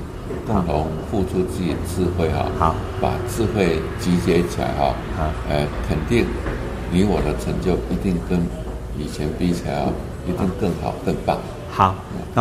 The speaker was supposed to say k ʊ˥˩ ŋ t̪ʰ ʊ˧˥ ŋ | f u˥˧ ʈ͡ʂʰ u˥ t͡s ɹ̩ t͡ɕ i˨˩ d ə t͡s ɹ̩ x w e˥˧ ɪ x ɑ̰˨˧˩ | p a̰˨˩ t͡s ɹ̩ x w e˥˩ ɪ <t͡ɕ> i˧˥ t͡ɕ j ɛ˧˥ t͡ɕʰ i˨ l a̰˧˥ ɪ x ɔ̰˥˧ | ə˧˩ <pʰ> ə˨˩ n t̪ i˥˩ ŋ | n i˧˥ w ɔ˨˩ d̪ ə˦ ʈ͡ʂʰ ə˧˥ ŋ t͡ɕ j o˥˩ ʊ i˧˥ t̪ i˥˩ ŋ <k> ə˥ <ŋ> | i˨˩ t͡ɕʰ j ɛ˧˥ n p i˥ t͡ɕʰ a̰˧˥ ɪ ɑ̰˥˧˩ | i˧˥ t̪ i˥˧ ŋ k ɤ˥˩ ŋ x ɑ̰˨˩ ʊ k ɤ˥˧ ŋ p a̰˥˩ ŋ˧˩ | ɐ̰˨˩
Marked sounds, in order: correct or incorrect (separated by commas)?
correct, incorrect, correct, incorrect